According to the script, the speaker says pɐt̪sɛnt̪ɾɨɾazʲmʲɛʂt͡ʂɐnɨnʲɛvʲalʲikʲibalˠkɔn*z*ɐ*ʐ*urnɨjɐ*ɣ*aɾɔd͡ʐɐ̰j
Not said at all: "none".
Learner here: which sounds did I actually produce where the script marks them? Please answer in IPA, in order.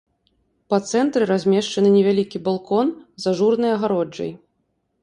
z, ʐ, ɣ

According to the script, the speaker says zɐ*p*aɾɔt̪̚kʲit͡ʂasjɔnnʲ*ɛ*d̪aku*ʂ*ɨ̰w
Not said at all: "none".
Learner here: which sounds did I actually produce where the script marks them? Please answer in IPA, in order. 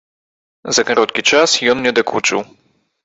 k, ɛ, t͡ʂ

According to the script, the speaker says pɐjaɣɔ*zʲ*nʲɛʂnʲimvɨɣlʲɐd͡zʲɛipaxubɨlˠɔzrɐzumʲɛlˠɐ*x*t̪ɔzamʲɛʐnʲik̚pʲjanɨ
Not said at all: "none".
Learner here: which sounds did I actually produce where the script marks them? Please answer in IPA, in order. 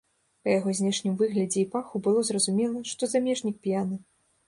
zʲ, ʂ

